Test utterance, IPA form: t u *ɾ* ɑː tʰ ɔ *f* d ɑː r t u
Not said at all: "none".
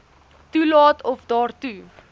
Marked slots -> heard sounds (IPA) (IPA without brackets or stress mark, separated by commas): l, f